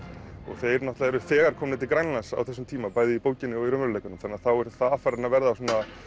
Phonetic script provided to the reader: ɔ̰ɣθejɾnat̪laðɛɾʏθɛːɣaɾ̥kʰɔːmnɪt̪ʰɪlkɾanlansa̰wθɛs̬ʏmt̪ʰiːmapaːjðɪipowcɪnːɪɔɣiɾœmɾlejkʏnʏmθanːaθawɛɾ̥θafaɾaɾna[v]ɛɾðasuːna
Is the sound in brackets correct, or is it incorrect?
correct